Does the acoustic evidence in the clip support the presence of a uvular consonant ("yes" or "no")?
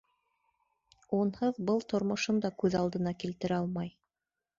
no